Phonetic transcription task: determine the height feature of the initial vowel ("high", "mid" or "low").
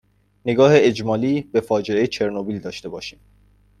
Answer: mid